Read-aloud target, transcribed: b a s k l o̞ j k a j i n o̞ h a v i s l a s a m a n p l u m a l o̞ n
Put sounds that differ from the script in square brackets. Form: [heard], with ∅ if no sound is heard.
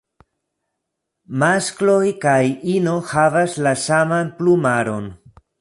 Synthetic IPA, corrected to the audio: [m] a s k l o̞ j k a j i n o̞ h a v [a] s l a s a m a n p l u m a [ɾ] o̞ n